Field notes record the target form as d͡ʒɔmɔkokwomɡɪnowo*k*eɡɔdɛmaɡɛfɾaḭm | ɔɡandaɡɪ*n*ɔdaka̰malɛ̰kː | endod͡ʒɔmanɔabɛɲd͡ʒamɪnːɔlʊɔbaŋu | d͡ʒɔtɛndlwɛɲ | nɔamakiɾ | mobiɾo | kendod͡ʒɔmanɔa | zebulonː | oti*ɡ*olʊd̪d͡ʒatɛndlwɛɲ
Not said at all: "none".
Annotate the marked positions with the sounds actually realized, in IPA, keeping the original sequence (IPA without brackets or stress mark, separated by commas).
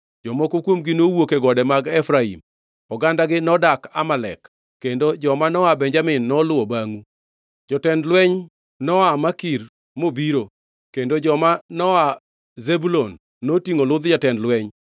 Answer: k, n, ŋ